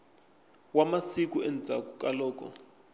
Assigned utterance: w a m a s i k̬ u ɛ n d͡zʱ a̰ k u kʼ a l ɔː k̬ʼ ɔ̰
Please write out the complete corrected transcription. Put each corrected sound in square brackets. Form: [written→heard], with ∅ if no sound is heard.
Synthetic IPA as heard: w a m a s i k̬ u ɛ n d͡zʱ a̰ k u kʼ a l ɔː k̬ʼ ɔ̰